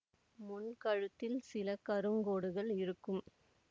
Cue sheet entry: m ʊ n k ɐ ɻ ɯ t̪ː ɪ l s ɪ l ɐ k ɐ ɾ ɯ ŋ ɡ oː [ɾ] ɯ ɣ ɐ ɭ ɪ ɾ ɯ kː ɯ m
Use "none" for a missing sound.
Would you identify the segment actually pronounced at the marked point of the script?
ɽ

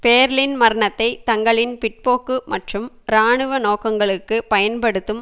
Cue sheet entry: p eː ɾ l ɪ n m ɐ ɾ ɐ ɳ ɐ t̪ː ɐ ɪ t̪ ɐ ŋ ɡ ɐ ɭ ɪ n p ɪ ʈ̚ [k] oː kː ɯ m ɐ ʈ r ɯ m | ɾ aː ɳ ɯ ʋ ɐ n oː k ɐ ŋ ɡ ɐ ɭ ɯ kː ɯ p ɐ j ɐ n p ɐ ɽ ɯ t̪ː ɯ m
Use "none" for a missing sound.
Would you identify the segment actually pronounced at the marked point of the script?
p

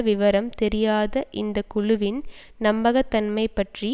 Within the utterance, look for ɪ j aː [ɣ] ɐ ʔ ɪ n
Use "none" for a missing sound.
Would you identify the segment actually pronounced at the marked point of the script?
ð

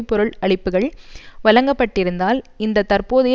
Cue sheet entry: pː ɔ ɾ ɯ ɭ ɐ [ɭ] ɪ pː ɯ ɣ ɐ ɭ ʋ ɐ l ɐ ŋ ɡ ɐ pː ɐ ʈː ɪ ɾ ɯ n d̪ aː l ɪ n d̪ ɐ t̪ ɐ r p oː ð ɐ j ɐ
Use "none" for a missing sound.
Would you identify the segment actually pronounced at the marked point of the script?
ɭ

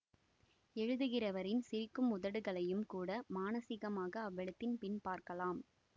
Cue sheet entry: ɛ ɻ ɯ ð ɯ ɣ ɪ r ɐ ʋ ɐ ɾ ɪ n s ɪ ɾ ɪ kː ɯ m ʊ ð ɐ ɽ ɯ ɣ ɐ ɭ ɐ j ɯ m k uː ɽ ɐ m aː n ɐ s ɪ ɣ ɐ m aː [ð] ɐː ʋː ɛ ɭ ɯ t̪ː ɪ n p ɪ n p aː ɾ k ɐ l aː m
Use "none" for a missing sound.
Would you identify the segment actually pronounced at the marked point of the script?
ɣ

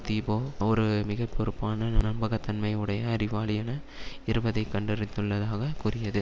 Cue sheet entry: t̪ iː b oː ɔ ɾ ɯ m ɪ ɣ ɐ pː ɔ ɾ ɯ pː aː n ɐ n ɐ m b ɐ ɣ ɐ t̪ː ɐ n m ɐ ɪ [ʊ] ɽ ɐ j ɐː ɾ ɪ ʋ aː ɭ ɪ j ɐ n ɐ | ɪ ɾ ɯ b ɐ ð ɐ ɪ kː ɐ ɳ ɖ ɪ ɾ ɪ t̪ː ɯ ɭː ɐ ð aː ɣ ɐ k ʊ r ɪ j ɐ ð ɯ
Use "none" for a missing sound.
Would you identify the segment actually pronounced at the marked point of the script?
ɯ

